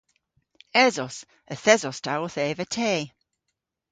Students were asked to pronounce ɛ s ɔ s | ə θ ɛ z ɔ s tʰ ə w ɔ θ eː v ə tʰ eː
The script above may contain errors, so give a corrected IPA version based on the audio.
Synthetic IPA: ɛ z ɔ s | ə θ ɛ z ɔ s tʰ a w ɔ θ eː v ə tʰ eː